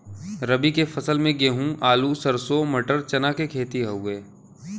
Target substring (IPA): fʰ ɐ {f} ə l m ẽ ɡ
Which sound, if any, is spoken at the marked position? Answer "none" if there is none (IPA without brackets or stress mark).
s